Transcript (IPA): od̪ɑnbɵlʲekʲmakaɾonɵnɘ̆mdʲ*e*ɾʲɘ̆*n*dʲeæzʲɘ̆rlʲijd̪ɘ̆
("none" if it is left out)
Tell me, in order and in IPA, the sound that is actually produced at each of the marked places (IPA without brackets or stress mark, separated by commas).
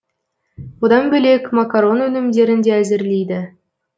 e, n